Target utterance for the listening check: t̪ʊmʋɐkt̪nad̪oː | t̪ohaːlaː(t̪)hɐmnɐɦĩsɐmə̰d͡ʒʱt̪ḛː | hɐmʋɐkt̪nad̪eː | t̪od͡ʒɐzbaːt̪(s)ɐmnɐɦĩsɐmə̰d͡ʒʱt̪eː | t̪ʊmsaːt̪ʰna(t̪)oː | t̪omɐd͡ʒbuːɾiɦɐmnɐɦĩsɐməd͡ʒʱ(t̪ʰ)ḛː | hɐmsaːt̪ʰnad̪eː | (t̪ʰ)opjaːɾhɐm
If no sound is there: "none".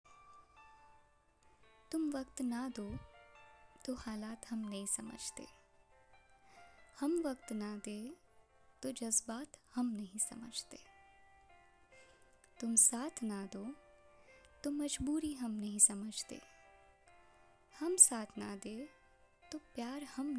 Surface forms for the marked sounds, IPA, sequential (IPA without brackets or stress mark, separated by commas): t̪, h, d̪, t̪, t̪